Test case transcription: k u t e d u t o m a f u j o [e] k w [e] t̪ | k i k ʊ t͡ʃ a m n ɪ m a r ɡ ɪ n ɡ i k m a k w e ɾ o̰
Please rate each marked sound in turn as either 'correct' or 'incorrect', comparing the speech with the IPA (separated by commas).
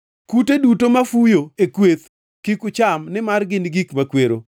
correct, correct